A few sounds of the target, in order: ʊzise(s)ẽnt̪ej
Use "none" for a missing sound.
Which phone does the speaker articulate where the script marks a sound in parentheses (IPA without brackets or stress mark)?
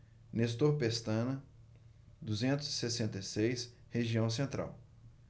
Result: s